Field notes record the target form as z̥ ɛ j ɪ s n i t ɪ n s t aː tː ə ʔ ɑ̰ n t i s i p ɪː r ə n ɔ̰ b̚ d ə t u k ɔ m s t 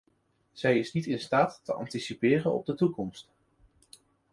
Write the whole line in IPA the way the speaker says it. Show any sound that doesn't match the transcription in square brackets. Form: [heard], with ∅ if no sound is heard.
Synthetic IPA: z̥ ɛ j ɪ s n i t ɪ n s t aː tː ə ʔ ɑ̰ n t i s i p ɪː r ə n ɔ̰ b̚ d ə t u k ɔ m s t